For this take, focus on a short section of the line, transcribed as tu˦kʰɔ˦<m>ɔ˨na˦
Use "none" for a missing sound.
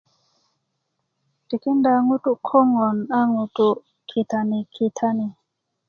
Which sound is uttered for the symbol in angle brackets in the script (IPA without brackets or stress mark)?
ŋ